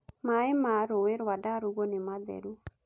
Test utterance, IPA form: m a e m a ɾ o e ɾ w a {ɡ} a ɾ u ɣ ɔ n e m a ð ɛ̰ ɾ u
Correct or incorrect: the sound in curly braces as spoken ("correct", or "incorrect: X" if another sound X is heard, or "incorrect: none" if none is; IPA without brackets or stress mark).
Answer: incorrect: d